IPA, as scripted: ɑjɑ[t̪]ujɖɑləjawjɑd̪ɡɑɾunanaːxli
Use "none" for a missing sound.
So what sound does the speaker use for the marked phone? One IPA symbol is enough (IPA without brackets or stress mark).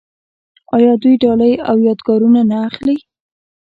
d̪